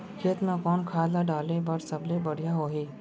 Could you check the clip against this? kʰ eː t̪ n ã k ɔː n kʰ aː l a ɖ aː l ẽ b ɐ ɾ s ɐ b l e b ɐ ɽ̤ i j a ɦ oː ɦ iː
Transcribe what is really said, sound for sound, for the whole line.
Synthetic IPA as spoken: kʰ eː t̪ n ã k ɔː n kʰ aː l a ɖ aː l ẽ b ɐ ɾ s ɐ b l e b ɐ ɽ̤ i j a ɦ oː ɦ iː